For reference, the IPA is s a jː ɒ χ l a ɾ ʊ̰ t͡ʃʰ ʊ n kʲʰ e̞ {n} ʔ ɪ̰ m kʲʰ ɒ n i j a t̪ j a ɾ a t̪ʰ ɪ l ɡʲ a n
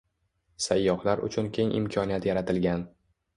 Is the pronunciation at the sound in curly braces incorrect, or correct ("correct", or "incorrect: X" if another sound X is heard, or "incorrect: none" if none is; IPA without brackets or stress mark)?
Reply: incorrect: ŋ